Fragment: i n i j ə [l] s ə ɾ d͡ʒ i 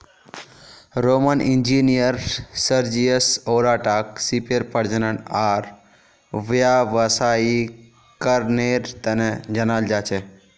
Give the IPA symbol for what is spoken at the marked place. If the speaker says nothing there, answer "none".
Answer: ɾ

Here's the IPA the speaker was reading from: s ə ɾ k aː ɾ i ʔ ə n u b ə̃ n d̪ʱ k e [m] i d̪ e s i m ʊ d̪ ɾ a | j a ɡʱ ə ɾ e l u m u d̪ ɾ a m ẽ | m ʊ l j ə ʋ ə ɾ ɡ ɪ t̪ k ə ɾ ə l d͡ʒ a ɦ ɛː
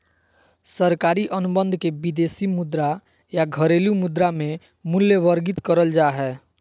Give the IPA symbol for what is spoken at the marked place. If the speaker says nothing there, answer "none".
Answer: b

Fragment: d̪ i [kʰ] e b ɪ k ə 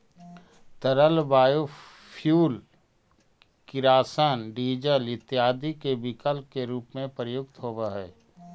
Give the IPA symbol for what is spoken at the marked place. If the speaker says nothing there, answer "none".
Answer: k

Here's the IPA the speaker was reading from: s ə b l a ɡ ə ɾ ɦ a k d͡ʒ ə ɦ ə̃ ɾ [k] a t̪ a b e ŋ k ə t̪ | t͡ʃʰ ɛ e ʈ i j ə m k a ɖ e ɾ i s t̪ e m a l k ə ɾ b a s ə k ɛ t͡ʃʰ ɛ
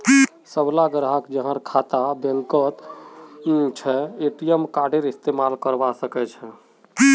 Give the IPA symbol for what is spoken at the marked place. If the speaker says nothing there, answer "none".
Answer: kʰ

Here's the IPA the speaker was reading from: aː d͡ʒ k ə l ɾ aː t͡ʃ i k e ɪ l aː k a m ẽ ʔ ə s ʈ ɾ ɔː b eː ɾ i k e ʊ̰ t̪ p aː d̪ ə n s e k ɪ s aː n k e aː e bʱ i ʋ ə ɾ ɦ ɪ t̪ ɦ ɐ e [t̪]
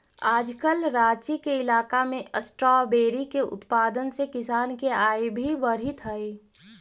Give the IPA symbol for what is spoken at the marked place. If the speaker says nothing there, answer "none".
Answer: none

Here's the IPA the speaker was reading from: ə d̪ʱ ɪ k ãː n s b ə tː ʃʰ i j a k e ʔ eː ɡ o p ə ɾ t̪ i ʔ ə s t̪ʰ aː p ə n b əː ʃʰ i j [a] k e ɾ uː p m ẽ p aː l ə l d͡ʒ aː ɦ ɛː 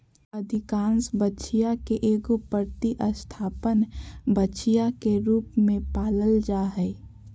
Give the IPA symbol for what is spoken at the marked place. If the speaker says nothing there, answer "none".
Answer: a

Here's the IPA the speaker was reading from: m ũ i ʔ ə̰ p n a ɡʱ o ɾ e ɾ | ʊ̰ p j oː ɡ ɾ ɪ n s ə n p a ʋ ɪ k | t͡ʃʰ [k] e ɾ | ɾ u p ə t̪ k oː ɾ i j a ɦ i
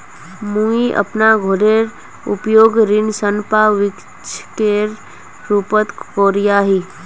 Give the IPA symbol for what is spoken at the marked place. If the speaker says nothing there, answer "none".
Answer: k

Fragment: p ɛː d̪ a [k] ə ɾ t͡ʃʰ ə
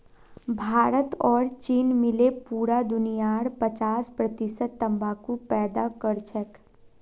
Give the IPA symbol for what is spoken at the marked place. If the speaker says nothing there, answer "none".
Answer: k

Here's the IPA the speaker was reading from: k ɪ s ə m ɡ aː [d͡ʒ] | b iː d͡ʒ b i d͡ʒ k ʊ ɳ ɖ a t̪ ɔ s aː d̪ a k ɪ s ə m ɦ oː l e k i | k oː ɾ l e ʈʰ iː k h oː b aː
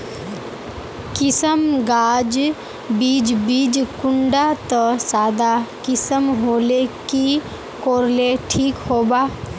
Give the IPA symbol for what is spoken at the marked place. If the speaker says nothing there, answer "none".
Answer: d͡ʒ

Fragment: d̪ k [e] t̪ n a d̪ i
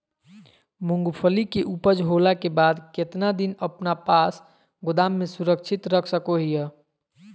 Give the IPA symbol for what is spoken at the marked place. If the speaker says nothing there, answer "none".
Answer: e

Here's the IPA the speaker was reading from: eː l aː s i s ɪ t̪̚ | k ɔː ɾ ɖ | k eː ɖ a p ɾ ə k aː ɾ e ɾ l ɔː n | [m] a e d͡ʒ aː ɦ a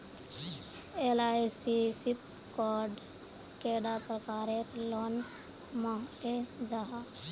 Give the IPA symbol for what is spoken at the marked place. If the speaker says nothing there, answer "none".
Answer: m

